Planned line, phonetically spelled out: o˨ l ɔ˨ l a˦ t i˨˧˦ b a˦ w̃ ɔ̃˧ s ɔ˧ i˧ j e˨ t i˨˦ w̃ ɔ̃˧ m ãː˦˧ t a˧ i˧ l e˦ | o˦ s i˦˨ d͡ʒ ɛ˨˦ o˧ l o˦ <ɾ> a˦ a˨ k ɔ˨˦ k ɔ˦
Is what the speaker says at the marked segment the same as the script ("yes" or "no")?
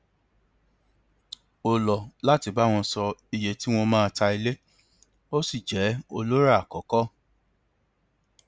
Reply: yes